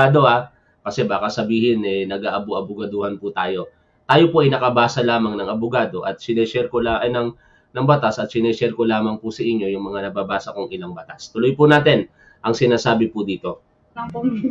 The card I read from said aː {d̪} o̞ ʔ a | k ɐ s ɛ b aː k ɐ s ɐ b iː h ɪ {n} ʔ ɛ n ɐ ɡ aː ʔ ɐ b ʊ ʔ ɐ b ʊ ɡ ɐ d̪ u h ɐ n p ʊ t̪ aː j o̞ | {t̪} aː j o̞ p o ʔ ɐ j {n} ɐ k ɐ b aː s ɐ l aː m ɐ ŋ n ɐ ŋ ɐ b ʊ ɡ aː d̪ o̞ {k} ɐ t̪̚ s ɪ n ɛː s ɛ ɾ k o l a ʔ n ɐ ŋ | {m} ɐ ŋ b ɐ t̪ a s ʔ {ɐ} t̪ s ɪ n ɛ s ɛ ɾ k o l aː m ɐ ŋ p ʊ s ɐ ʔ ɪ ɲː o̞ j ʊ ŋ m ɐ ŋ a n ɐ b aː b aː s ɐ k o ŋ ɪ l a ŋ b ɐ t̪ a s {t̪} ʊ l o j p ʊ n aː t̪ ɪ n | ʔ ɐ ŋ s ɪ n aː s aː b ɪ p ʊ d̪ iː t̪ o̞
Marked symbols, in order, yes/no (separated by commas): yes, yes, yes, yes, no, no, yes, yes